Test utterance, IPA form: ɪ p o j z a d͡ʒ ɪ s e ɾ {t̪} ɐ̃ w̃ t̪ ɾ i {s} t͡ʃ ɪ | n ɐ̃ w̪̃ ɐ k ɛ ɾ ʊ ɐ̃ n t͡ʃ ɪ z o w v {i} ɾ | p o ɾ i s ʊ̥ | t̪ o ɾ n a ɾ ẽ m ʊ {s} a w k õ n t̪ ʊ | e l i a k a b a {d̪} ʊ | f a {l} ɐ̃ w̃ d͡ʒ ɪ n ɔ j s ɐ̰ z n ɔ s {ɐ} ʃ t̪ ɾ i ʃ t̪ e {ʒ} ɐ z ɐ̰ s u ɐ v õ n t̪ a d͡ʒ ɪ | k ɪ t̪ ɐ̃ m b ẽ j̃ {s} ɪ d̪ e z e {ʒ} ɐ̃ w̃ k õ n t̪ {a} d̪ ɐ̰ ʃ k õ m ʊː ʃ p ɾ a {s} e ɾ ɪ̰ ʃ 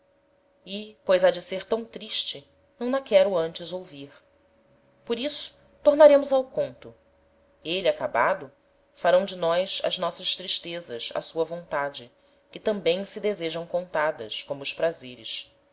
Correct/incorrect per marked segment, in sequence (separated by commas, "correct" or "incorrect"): correct, incorrect, correct, incorrect, correct, incorrect, correct, incorrect, correct, correct, correct, incorrect